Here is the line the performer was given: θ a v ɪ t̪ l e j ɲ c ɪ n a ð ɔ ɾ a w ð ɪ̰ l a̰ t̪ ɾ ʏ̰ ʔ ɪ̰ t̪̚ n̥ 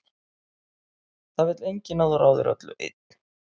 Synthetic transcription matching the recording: θ a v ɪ t̪ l e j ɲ c ɪ n a ð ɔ ɾ a w ð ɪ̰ ɾ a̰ t̪ l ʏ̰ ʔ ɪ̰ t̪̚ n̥